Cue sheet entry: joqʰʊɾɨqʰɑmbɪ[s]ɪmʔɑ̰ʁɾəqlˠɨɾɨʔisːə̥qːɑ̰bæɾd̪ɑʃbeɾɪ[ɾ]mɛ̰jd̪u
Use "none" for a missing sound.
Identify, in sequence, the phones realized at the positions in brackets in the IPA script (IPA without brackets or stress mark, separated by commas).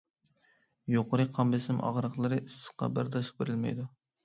s, l